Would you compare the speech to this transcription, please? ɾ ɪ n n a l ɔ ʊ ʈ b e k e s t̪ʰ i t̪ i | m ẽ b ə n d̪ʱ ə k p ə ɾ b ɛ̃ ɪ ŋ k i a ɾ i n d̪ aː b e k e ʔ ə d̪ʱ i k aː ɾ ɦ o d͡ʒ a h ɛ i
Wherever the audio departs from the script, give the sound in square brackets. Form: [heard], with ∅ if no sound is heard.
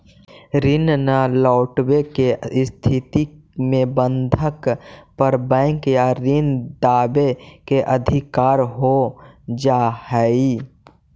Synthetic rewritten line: ɾ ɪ n n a l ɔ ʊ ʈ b e k e s t̪ʰ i t̪ i | m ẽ b ə n d̪ʱ ə k p ə ɾ b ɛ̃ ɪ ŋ k [j] a ɾ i n d̪ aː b e k e ʔ ə d̪ʱ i k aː ɾ ɦ o d͡ʒ a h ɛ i